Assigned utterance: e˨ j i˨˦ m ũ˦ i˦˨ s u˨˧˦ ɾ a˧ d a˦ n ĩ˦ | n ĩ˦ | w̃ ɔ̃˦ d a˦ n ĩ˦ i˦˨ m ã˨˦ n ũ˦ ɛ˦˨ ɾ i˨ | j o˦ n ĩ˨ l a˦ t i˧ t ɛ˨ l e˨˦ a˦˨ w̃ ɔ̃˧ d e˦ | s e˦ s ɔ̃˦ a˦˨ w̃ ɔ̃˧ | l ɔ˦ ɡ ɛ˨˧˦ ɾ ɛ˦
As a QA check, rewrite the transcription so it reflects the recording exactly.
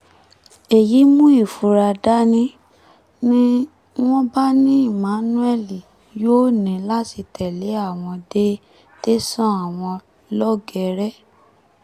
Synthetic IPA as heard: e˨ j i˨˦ m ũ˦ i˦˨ f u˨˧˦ ɾ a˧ d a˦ n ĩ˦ | n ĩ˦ | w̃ ɔ̃˦ b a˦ n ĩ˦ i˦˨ m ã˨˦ n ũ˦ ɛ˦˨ l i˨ | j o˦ n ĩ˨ l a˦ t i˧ t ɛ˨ l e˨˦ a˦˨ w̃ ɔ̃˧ d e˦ | t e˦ s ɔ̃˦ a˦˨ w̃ ɔ̃˧ | l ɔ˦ ɡ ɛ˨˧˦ ɾ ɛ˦